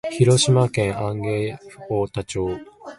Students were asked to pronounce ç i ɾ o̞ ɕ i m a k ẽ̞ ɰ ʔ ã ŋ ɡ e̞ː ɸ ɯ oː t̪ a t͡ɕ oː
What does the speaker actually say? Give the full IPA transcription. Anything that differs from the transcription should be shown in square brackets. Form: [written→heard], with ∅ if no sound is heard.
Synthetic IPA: ç i ɾ o̞ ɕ i m a k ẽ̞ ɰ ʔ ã ŋ ɡ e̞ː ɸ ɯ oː t̪ a t͡ɕ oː